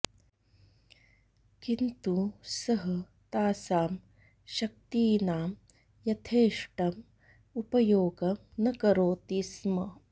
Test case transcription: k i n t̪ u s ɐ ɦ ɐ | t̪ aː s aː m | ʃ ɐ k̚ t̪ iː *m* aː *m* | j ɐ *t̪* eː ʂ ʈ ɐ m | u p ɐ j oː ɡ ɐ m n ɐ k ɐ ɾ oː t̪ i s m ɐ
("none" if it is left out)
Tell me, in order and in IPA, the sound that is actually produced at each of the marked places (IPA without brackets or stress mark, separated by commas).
n, m, t̪ʰ